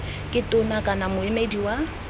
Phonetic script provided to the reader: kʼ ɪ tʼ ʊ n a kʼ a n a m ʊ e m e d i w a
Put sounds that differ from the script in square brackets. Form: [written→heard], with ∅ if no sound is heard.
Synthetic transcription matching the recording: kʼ ɪ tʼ ʊ n a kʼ a n a m ʊ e m e d i w a